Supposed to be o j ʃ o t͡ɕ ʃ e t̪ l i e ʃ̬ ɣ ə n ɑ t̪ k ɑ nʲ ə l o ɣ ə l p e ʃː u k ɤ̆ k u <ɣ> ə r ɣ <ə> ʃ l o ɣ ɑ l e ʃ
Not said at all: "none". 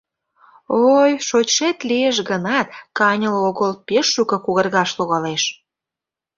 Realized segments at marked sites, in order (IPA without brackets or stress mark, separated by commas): ɣ, ɑ